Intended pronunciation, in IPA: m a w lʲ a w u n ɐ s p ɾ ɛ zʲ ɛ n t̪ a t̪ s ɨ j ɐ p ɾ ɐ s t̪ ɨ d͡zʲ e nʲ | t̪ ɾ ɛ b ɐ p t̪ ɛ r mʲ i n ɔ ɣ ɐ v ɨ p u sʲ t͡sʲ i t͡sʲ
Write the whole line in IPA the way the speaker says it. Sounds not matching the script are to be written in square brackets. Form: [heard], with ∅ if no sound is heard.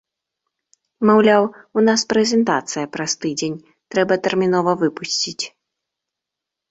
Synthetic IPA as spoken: m a w lʲ a w u n [a] s p ɾ ɛ zʲ ɛ n t̪ a t̪ s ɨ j ɐ p ɾ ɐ s t̪ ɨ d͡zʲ e nʲ | t̪ ɾ ɛ b ɐ [∅] t̪ ɛ r mʲ i n ɔ [v] ɐ v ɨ p u sʲ t͡sʲ i t͡sʲ

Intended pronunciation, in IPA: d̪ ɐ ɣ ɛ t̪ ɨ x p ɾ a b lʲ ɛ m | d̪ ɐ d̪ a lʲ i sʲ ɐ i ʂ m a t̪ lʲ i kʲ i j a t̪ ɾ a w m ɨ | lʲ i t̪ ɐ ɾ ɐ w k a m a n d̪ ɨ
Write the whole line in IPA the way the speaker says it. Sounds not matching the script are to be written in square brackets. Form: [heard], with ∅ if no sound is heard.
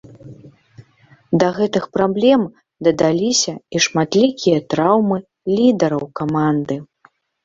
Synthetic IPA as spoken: d̪ ɐ ɣ ɛ t̪ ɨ x p ɾ a b lʲ ɛ m | d̪ ɐ d̪ a lʲ i sʲ ɐ i ʂ m a t̪ lʲ i kʲ i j [ɐ] t̪ ɾ a w m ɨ | lʲ i [d̪] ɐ ɾ ɐ w k a m a n d̪ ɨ

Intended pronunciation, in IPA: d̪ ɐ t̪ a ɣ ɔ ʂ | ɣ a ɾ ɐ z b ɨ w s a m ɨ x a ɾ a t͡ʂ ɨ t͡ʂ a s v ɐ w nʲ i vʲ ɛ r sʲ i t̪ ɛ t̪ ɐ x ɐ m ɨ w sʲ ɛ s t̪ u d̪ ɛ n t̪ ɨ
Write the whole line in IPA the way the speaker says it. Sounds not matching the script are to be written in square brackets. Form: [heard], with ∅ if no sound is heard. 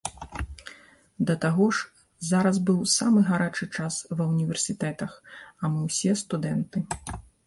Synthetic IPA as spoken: d̪ ɐ t̪ a ɣ ɔ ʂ | [z] a ɾ ɐ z b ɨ w s a m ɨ [ɣ] a ɾ a t͡ʂ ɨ t͡ʂ a s v ɐ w nʲ i vʲ ɛ r sʲ i t̪ ɛ t̪ ɐ x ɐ m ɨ w sʲ ɛ s t̪ u d̪ ɛ n t̪ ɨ

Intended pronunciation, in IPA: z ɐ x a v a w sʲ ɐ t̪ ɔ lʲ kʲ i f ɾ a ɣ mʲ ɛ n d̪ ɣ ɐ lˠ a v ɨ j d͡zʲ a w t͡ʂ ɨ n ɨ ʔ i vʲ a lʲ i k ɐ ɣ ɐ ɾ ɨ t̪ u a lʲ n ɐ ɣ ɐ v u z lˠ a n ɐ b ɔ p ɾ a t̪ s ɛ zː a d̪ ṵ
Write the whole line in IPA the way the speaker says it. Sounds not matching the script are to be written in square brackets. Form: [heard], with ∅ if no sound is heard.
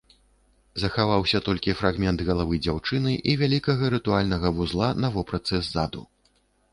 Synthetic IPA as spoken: z ɐ x a v a w sʲ ɐ t̪ ɔ lʲ kʲ i f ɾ a ɣ mʲ ɛ n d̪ ɣ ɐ lˠ a v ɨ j d͡zʲ a w t͡ʂ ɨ n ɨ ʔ i vʲ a lʲ i k ɐ ɣ ɐ ɾ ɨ t̪ u a lʲ n ɐ ɣ ɐ v u z lˠ a n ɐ [v] ɔ p ɾ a t̪ s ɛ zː a d̪ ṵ

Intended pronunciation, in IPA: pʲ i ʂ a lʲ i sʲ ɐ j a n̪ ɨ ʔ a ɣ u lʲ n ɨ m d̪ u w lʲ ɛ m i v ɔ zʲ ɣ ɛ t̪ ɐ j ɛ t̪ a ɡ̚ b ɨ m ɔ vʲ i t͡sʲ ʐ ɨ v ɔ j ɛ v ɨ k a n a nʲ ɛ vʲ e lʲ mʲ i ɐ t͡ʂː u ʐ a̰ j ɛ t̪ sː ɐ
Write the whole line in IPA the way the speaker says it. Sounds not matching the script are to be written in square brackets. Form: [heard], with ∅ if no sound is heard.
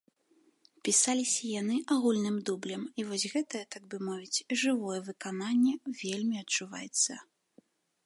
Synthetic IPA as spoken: pʲ i [s] a lʲ i sʲ ɐ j a n̪ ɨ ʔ a ɣ u lʲ n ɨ m d̪ u [b] lʲ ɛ m i v ɔ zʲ ɣ ɛ t̪ ɐ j ɛ t̪ a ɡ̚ b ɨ m ɔ vʲ i t͡sʲ ʐ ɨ v ɔ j ɛ v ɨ k a n a [nʲː] ɛ vʲ e lʲ mʲ i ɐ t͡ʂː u [v] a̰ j ɛ t̪ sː ɐ

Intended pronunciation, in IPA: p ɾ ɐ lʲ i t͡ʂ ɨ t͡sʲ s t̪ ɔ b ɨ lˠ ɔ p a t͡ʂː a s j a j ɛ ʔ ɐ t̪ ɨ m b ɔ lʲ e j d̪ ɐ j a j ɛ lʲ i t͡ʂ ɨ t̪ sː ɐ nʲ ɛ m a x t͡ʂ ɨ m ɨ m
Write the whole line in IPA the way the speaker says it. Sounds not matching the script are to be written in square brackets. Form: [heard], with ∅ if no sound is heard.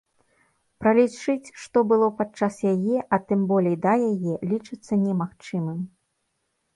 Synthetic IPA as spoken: p ɾ ɐ lʲ i t͡ʂ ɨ t͡sʲ [ʂ] t̪ ɔ b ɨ lˠ ɔ p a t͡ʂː a s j a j ɛ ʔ ɐ t̪ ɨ m b ɔ lʲ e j d̪ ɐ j a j ɛ lʲ i t͡ʂ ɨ t̪ sː ɐ nʲ ɛ m a x t͡ʂ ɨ m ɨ m

